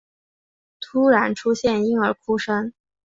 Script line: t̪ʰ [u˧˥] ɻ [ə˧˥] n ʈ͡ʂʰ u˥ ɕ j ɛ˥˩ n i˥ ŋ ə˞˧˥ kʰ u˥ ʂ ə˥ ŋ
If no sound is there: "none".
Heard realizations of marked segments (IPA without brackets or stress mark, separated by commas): u˥, a˧˥